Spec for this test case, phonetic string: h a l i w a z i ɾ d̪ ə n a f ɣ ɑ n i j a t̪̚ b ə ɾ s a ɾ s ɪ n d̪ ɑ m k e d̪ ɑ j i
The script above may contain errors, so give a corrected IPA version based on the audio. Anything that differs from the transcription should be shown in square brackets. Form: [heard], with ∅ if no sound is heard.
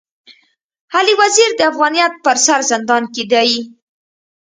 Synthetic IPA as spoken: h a l i w a z i ɾ d̪ ə [∅] a f ɣ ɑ n i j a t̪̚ [p] ə ɾ s a ɾ [z] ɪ n d̪ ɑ [n] k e d̪ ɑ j i